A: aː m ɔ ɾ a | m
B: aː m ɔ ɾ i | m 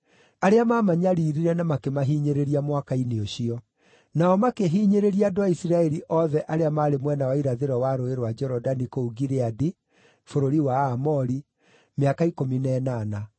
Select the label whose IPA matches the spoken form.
B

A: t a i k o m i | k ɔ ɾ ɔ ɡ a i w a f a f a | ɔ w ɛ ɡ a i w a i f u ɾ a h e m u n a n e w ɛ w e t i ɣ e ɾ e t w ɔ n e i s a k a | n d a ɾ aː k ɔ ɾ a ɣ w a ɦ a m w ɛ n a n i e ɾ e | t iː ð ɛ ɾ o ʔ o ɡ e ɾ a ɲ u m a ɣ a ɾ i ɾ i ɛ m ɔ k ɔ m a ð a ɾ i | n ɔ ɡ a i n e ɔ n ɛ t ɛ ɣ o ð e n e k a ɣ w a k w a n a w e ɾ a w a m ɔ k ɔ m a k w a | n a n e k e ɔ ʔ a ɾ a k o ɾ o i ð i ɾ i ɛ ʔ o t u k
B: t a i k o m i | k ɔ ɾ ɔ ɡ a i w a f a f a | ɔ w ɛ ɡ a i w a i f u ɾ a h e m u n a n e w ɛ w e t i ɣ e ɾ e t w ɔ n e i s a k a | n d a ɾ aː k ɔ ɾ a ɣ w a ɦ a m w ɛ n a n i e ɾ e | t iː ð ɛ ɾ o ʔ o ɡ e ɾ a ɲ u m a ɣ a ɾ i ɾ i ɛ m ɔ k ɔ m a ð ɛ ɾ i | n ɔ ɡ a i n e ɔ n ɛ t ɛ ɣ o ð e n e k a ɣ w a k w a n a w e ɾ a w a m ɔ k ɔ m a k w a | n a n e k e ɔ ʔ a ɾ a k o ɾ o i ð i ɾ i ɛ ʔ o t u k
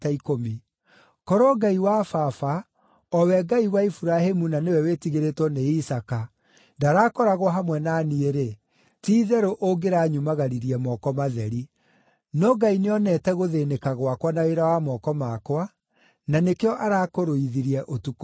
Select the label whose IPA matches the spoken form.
B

